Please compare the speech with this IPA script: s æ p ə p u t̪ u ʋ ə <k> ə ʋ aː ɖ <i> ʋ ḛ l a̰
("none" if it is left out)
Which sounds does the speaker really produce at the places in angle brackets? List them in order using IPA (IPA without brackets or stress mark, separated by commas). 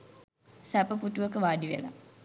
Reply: k, i